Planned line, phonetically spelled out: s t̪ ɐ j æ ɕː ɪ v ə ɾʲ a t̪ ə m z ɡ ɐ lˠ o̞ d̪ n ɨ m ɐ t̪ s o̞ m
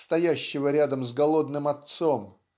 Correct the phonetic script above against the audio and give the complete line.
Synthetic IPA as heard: s t̪ ɐ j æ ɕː ɪ v ə ɾʲ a d̪ ə m z ɡ ɐ lˠ o̞ d̪ n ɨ m ɐ t̪ s o̞ m